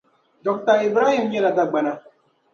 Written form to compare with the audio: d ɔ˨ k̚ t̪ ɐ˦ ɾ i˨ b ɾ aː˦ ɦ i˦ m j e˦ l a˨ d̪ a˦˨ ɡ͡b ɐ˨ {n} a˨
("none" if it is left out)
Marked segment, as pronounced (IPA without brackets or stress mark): n